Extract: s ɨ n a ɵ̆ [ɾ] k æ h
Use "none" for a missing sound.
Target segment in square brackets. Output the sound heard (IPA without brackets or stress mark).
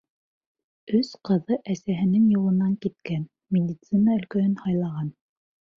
l